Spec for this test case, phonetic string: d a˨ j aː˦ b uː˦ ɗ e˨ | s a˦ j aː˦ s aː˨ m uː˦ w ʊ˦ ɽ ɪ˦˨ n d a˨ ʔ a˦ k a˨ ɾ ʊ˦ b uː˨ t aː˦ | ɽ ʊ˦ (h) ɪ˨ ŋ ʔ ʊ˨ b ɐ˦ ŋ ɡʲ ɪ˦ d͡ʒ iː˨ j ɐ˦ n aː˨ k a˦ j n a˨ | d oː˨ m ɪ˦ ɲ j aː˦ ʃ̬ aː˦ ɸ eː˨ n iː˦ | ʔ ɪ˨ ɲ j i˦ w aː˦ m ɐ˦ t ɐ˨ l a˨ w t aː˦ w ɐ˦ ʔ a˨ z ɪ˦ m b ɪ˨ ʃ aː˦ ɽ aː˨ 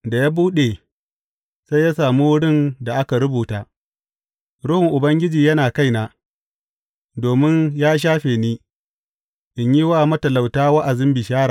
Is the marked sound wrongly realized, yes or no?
no